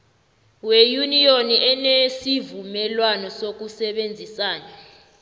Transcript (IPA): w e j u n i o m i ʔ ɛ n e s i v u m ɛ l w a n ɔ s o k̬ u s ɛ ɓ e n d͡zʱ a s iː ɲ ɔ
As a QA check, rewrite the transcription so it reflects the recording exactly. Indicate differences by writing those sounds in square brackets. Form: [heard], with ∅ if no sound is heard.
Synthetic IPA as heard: w e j u n i o [n] i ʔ ɛ n e s i v u m ɛ l w a n ɔ s o k̬ u s ɛ ɓ e n d͡zʱ [i] s [aː] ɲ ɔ